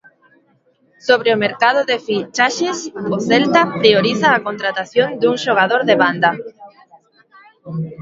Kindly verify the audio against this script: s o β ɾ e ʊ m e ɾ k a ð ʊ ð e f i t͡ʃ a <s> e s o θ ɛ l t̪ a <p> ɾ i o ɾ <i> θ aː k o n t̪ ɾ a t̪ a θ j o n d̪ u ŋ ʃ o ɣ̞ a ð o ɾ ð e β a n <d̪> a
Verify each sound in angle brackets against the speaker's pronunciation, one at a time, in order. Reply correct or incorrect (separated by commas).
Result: incorrect, correct, correct, correct